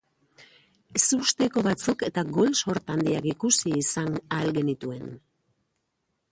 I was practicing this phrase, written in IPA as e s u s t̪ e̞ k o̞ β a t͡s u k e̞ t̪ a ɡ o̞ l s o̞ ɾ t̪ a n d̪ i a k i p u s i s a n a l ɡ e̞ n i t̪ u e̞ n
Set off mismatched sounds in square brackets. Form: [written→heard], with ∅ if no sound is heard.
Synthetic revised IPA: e s u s t̪ e̞ k o̞ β a t͡s u k e̞ t̪ a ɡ o̞ l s o̞ ɾ t̪ a n d̪ i a k i [p→k] u s [i→iː] s a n a l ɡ e̞ n i t̪ u e̞ n